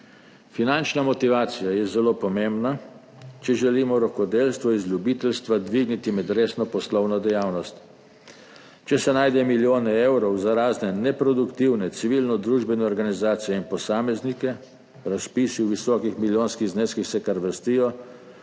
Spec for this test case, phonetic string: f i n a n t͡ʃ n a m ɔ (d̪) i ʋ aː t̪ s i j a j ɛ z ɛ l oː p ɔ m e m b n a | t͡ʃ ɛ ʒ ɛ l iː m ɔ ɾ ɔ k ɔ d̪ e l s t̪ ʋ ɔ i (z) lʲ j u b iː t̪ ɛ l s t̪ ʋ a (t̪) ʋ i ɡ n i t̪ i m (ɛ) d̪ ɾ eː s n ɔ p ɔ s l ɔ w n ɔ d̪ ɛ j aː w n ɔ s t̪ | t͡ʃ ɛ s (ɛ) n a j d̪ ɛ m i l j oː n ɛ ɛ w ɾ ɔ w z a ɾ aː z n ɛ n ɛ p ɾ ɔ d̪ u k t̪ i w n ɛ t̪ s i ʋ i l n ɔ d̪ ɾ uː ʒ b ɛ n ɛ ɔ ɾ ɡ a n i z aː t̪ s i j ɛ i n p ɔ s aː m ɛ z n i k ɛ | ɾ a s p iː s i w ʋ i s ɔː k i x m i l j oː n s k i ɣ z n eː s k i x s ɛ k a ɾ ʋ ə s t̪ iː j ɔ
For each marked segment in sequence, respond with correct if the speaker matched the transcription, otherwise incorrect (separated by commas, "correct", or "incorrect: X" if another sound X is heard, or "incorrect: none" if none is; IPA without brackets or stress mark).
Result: incorrect: t̪, correct, incorrect: d̪, correct, correct